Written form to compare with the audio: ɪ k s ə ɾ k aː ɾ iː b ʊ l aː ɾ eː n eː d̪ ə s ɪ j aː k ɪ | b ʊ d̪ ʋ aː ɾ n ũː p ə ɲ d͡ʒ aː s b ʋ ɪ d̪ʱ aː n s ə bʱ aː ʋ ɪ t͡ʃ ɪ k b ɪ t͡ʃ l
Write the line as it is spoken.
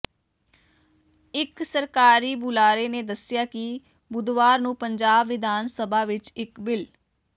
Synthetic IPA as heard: ɪ k s ə ɾ k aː ɾ iː b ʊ l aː ɾ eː n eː d̪ ə s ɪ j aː k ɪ | b ʊ d̪ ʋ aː ɾ n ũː p ə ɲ d͡ʒ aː b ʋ ɪ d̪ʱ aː n s ə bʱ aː ʋ ɪ t͡ʃ ɪ k b ɪ l

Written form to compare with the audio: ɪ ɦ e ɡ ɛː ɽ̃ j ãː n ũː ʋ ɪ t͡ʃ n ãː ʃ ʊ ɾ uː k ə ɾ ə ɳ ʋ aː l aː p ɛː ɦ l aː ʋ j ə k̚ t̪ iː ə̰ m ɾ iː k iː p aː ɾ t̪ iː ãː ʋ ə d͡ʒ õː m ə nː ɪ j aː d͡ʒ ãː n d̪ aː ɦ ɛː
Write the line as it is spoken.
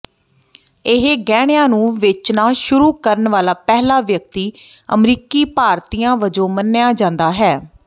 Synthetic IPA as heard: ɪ ɦ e ɡ ɛː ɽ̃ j ãː n ũː ʋ ɪ t͡ʃ n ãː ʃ ʊ ɾ uː k ə ɾ ə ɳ ʋ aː l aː p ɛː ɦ l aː ʋ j ə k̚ t̪ iː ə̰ m ɾ iː k iː p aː ɾ t̪ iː ãː ʋ ə d͡ʒ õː m ə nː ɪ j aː d͡ʒ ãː n d̪ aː ɦ ɛː

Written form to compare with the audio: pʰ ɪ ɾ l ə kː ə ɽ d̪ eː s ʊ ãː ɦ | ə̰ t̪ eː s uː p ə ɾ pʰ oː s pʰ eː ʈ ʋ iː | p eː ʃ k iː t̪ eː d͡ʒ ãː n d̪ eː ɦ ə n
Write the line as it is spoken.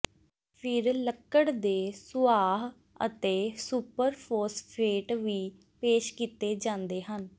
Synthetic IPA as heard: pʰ ɪ ɾ l ə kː ə ɽ d̪ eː s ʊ aː ɦ | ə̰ t̪ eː s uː p ə ɾ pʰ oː s pʰ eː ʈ ʋ iː | p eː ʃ k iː t̪ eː d͡ʒ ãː n d̪ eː ɦ ə n

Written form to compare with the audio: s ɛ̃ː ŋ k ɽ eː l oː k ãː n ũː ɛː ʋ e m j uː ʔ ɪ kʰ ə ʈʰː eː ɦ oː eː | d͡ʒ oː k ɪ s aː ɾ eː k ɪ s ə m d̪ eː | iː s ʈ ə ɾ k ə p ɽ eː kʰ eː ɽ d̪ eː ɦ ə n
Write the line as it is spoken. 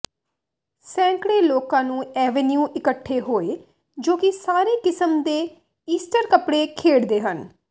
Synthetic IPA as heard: s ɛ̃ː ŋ k ɽ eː l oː k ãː n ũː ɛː ʋ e n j uː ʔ ɪ k ə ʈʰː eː ɦ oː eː | d͡ʒ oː k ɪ s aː ɾ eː k ɪ s ə m d̪ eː | iː s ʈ ə ɾ k ə p ɽ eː kʰ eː ɽ d̪ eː ɦ ə n

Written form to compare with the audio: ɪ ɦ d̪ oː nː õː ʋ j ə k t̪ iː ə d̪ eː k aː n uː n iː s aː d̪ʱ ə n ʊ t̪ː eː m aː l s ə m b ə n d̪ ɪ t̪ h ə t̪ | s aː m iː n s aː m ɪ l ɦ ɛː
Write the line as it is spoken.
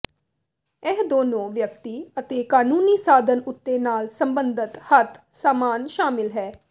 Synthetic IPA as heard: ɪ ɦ d̪ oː n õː ʋ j ə k t̪ iː ə t̪ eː k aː n uː n iː s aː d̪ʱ ə n ʊ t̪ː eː n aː l s ə m b ə n d̪ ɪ t̪ h ə t̪ | s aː m aː n ʃ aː m ɪ l ɦ ɛː

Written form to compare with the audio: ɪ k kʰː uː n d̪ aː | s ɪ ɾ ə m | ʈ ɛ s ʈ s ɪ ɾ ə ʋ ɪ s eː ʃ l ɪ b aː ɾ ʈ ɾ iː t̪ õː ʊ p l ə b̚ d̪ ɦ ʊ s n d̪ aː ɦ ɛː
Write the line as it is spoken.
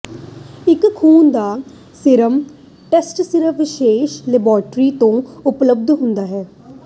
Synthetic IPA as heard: ɪ k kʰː uː n d̪ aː | s ɪ ɾ ə m | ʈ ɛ s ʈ s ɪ ɾ ə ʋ ɪ ʃ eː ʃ l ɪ b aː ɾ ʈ ɾ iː t̪ õː ʊ p l ə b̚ d̪ ɦ ʊ n d̪ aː ɦ ɛː

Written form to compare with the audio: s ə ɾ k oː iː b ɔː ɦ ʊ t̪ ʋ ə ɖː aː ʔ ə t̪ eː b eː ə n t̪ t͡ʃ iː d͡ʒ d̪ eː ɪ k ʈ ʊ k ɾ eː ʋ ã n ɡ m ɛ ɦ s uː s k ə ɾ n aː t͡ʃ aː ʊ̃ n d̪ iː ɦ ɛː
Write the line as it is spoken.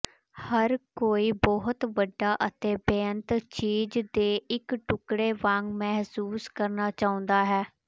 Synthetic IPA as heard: h ə ɾ k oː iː b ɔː ɦ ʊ t̪ ʋ ə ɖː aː ʔ ə t̪ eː b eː ə n t̪ t͡ʃ iː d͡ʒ d̪ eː ɪ k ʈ ʊ k ɽ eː ʋ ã ŋ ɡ m ɛ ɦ s uː s k ə ɾ n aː t͡ʃ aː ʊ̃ n d̪ aː ɦ ɛː

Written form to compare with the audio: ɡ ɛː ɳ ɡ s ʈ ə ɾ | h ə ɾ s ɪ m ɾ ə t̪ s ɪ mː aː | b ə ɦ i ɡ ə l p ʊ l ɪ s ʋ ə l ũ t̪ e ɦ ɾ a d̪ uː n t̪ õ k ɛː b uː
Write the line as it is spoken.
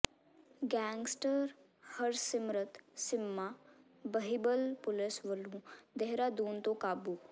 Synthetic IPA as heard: ɡ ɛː ŋ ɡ s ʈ ə ɾ | h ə ɾ s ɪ m ɾ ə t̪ s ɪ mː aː | b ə ɦ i b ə l p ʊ l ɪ s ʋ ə l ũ d̪ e ɦ ɾ a d̪ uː n t̪ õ k aː b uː

